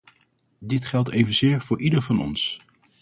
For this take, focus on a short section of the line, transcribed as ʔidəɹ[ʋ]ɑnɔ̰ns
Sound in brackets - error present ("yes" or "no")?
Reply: yes